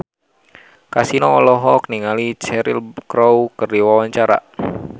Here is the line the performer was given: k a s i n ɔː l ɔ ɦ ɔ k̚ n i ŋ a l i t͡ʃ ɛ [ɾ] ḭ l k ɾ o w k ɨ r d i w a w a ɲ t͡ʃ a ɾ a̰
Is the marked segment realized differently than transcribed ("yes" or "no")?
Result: no